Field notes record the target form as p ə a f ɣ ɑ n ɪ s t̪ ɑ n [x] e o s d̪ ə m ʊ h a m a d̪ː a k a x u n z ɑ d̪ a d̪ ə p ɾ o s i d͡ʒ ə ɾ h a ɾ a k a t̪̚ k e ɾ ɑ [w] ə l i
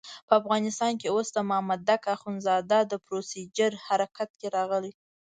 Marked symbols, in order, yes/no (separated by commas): no, no